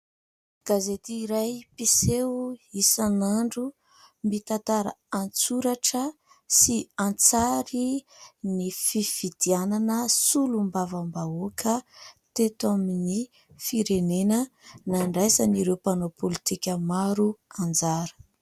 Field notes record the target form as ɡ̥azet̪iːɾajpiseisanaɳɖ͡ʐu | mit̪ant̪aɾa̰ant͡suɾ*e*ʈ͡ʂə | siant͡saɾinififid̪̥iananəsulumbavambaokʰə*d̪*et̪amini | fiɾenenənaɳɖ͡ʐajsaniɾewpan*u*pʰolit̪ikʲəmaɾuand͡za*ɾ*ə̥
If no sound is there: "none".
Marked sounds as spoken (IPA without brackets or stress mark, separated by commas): a, t̪, o, ɾ